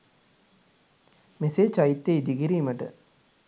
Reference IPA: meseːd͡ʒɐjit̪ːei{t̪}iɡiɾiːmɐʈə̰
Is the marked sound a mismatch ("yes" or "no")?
yes